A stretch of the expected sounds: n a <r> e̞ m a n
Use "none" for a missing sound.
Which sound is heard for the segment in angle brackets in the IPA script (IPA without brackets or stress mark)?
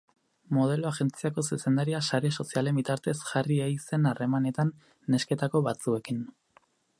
r